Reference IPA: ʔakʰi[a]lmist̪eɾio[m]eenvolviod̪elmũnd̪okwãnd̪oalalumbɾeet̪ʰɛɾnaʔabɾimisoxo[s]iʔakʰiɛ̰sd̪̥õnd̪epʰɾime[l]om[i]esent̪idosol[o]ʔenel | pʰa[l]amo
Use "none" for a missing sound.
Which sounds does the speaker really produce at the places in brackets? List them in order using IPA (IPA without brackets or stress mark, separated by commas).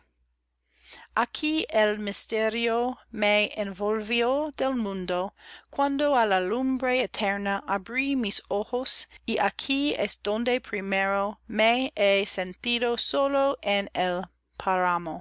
e, m, s, ɾ, e, o, ɾ